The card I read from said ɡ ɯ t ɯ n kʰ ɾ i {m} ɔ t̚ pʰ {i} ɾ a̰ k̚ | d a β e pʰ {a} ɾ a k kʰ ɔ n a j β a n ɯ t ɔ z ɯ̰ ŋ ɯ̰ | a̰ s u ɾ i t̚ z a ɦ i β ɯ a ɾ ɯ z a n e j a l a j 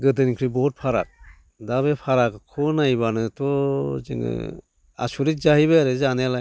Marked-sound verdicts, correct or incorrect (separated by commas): incorrect, incorrect, correct